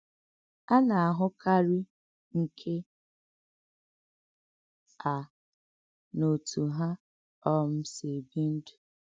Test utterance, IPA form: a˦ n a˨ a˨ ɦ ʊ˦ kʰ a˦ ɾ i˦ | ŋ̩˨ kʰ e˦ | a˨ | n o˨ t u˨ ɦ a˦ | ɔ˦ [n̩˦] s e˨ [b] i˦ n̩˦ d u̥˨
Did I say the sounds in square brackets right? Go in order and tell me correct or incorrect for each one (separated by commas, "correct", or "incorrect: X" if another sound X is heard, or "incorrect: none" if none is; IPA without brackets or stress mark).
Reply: incorrect: m̩˦, correct